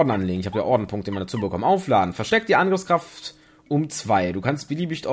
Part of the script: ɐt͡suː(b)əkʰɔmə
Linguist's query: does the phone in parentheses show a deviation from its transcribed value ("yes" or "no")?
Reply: no